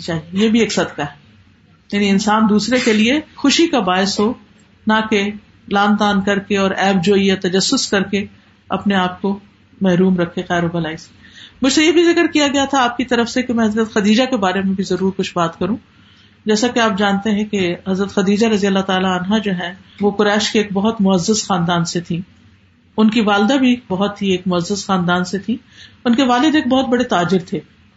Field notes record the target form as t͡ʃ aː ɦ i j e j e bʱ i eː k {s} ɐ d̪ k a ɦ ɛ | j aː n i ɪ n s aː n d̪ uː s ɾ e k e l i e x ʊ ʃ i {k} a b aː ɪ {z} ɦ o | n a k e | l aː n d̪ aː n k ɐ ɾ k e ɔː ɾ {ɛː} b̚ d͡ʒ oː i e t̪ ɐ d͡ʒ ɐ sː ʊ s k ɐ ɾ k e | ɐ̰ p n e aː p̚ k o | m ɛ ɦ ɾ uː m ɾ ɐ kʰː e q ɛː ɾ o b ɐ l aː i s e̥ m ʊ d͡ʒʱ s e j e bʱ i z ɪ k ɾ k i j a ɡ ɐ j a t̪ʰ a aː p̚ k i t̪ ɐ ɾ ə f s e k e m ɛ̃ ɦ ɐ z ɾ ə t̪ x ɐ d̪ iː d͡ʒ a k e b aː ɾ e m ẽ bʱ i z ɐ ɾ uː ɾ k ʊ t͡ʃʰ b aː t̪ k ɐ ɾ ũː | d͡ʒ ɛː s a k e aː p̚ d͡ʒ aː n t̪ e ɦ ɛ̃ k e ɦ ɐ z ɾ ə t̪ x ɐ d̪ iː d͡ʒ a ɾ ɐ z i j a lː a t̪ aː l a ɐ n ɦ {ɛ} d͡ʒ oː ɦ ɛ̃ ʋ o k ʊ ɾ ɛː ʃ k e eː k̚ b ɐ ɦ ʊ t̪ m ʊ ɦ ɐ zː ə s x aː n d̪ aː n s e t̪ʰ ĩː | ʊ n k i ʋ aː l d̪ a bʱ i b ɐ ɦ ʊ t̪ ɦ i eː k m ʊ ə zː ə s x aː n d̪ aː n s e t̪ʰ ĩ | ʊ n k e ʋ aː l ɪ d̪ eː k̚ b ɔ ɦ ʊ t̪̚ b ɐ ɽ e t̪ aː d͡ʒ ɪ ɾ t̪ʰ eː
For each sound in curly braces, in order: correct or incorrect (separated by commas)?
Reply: correct, correct, incorrect, correct, incorrect